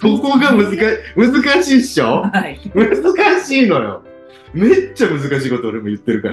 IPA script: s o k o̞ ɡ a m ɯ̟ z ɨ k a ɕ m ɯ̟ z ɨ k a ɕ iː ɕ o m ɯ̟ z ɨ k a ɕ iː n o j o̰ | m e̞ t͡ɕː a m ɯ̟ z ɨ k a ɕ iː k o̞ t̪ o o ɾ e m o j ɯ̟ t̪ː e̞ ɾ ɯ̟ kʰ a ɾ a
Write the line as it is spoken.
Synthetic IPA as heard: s o k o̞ ɡ a m ɯ̟ z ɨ k a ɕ m ɯ̟ z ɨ k a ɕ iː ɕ o m ɯ̟ z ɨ k a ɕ iː n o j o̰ | m e̞ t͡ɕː a m ɯ̟ z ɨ k a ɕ iː k o̞ t̪ o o ɾ e m o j ɯ̟ t̪ː e̞ ɾ ɯ̟ k a ɾ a